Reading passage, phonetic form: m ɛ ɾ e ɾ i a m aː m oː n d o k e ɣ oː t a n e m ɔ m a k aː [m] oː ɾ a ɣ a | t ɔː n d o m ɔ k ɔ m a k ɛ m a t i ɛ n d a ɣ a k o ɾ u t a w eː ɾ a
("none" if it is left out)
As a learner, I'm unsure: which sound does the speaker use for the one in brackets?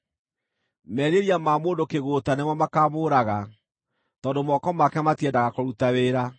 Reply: m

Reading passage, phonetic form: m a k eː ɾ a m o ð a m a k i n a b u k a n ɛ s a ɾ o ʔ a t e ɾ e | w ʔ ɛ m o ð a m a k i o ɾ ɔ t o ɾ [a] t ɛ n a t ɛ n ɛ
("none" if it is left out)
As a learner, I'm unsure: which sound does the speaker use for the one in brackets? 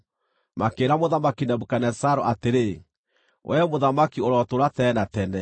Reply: a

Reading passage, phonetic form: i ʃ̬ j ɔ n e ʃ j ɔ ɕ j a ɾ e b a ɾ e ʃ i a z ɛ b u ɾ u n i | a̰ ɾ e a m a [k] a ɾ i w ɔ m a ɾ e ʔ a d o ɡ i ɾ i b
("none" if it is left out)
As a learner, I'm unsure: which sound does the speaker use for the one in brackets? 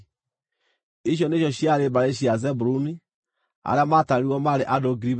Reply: t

